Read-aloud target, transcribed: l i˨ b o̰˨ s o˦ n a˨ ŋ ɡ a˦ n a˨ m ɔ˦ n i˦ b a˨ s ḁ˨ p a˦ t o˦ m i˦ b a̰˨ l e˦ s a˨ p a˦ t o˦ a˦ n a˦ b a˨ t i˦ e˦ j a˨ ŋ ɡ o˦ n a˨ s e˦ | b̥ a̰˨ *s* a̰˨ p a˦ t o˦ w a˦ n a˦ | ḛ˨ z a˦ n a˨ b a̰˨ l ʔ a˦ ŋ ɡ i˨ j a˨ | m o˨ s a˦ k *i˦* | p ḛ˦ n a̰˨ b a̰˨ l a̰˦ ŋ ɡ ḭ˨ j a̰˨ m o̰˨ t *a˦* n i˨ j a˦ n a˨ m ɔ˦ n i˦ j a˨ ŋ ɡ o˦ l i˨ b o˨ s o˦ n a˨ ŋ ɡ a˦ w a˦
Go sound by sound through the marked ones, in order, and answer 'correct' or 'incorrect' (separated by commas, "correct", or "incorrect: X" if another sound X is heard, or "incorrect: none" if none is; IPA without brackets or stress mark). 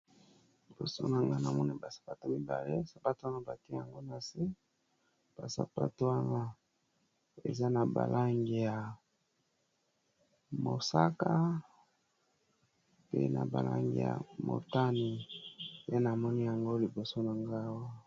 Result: correct, incorrect: a˦, correct